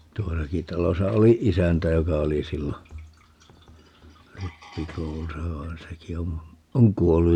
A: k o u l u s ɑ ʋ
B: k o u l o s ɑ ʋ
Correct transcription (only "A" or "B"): A